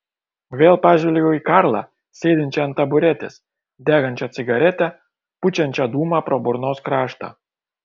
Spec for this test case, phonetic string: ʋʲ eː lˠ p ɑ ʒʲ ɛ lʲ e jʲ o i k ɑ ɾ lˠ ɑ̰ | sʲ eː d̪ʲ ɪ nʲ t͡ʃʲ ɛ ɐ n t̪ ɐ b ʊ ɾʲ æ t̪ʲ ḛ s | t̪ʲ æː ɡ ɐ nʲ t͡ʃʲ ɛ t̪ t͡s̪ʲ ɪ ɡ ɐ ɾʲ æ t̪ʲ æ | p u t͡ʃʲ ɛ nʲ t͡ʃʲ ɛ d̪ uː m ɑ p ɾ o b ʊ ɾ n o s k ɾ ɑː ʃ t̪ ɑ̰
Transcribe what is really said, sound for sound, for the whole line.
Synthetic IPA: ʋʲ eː lˠ p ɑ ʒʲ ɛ lʲ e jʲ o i k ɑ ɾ lˠ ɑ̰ | sʲ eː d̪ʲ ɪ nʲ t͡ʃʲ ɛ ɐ n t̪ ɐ b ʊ ɾʲ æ t̪ʲ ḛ s | d̪ʲ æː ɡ ɐ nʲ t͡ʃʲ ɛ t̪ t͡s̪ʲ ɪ ɡ ɐ ɾʲ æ t̪ʲ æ | p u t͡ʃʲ ɛ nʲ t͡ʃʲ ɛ d̪ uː m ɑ p ɾ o b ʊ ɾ n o s k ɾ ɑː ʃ t̪ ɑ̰